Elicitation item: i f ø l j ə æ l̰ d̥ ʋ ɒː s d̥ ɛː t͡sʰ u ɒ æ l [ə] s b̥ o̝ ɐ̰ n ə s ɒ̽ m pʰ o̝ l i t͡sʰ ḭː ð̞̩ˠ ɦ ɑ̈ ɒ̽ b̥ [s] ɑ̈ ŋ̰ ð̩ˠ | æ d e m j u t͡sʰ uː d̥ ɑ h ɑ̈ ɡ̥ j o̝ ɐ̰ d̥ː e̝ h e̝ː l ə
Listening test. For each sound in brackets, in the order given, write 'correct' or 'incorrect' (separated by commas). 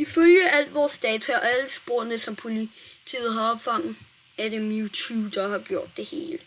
correct, incorrect